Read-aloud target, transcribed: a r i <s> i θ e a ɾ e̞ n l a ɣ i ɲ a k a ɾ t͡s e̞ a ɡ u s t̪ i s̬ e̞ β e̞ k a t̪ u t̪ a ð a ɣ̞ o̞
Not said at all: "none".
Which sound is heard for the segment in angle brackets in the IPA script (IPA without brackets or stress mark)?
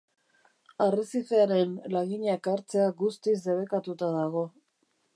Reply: s